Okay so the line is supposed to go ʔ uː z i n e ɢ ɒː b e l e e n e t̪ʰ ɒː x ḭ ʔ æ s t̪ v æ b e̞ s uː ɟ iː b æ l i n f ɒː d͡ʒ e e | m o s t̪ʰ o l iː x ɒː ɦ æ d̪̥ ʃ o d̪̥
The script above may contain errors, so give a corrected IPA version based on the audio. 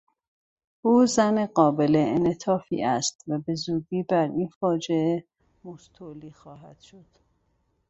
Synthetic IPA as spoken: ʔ uː z æ n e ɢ ɒː b e l e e n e t̪ʰ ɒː f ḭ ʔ æ s t̪ v æ b e̞ z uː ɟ iː b æ ɾ i n f ɒː d͡ʒ e e | m o s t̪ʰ o l iː x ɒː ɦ æ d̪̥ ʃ o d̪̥